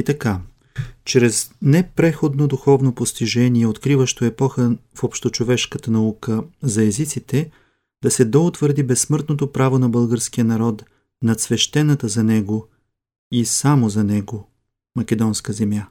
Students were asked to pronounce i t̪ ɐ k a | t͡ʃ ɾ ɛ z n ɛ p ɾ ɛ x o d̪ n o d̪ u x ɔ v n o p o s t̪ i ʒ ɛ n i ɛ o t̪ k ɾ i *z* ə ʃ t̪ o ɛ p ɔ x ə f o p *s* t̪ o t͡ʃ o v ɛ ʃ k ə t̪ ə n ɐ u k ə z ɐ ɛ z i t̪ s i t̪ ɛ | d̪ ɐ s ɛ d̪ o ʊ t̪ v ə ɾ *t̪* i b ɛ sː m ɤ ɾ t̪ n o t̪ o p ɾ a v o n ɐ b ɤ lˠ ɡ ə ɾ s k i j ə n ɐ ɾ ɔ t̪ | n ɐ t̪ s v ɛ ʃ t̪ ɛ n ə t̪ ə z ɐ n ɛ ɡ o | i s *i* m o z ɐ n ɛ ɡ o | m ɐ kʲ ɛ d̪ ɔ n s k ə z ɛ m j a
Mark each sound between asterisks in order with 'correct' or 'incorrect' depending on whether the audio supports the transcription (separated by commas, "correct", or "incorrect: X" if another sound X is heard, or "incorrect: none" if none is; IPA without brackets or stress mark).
incorrect: v, incorrect: ʃ, incorrect: d̪, incorrect: a